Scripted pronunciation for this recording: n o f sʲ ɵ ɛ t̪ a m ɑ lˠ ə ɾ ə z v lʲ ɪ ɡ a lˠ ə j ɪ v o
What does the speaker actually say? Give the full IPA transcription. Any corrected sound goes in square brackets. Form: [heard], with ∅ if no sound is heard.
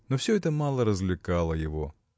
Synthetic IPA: n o f sʲ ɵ ɛ t̪ [ə] m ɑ lˠ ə ɾ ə z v lʲ ɪ [k] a lˠ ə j ɪ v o